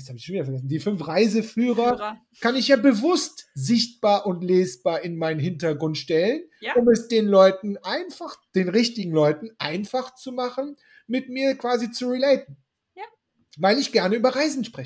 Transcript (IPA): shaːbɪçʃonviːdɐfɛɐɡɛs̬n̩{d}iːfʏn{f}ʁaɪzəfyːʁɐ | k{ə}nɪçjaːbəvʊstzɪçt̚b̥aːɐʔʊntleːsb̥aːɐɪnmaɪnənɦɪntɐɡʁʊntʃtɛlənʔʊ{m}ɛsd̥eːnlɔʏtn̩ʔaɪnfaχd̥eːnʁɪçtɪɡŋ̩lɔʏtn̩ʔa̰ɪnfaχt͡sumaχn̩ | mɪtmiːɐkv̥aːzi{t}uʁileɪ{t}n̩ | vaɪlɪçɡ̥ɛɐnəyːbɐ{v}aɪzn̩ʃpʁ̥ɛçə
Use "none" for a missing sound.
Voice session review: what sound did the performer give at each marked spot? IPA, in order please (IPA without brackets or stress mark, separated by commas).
d, f, a, m, t͡s, t, ʁ